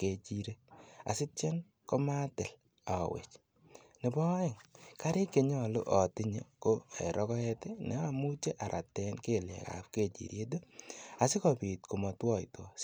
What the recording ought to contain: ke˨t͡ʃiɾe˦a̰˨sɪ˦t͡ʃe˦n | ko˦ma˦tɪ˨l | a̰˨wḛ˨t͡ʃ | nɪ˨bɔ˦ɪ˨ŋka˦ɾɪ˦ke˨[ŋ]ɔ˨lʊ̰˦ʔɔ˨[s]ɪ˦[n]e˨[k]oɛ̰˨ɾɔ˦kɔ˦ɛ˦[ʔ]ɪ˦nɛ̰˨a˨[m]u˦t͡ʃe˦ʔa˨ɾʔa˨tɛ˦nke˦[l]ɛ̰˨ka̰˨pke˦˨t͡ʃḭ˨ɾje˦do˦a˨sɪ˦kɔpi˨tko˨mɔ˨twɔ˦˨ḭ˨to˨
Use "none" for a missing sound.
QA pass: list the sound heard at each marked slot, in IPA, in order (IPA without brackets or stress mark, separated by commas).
ɲ, t, ɲ, k, t, m, l